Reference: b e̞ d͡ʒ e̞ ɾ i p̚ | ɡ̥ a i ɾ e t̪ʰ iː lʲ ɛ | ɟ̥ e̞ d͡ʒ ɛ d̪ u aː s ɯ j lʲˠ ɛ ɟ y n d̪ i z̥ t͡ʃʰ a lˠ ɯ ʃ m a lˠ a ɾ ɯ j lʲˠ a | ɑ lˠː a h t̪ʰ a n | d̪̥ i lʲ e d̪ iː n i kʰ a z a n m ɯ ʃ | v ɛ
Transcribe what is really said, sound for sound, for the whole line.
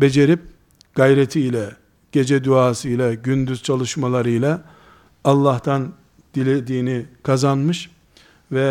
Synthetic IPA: b e̞ d͡ʒ e̞ ɾ i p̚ | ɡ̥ a j ɾ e t̪ʰ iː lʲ ɛ | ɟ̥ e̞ d͡ʒ ɛ d̪ u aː s ɯ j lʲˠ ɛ ɟ y n d̪ y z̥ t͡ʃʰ a lˠ ɯ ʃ m a lˠ a ɾ ɯ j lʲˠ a | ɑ lˠː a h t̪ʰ a n | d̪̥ i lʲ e d̪ iː n i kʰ a z a n m ɯ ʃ | v ɛ